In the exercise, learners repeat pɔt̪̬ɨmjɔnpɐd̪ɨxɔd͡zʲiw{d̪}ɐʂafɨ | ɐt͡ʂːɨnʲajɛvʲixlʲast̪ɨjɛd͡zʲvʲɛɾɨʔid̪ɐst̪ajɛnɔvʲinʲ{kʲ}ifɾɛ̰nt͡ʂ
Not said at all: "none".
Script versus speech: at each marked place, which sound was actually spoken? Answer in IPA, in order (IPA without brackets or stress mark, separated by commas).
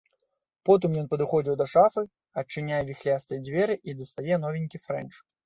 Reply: d̪, kʲ